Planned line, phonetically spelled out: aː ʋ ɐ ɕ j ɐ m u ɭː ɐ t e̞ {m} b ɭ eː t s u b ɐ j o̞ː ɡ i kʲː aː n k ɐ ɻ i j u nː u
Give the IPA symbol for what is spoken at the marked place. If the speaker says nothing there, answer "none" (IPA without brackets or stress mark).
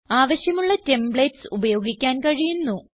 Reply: m